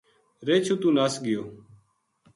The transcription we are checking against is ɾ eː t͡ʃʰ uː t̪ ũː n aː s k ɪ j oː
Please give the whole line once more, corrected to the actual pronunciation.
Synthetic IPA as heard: ɾ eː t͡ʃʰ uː t̪ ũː n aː s ɡ ɪ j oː